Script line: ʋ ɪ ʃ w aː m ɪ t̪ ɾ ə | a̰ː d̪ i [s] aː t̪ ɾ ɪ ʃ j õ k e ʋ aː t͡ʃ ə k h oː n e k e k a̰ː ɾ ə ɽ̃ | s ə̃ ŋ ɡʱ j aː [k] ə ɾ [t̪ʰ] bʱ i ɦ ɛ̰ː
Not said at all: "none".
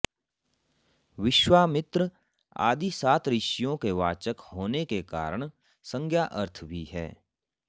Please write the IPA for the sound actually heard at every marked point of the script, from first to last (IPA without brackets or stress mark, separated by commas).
s, ʔ, t̪ʰ